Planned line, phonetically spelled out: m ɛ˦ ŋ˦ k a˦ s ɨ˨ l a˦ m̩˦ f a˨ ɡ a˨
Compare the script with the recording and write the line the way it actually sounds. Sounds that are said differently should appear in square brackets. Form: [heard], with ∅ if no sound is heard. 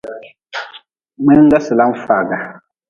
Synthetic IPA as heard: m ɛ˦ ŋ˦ [ɡ] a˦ s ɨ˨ l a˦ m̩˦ f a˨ ɡ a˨

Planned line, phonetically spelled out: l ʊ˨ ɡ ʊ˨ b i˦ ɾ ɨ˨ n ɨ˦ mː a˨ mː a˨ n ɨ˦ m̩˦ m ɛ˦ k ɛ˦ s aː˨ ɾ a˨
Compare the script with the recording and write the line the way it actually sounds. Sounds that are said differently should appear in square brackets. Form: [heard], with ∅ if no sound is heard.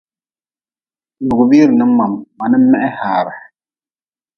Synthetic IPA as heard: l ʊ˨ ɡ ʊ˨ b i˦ ɾ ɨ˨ n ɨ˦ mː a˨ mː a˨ n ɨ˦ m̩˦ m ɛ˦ [ʔ] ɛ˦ [h] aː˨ ɾ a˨

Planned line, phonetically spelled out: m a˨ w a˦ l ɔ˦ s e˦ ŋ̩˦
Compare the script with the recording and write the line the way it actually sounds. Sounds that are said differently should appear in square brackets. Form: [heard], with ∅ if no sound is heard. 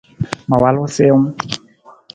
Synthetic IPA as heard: m a˨ w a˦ l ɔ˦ s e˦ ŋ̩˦

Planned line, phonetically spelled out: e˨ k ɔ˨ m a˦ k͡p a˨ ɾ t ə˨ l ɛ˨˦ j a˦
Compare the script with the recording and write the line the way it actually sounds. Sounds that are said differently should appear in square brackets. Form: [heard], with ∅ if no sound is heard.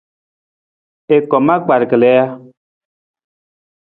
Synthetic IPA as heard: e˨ k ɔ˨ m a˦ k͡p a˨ ɾ [k] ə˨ l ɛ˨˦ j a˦

